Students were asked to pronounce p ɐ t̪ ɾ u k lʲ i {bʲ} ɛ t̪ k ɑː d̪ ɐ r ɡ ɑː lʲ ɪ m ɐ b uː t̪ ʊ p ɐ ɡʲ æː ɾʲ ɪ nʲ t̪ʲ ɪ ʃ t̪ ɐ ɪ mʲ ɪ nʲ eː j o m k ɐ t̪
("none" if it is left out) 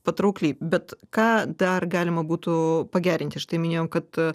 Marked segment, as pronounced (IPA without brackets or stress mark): bʲ